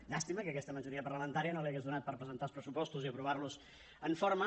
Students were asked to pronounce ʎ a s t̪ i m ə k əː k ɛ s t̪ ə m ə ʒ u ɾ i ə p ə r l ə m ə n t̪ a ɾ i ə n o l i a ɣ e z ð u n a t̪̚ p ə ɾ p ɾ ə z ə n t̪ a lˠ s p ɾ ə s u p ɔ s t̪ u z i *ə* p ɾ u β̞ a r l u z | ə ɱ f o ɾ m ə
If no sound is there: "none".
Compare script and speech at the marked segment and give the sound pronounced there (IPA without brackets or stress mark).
ə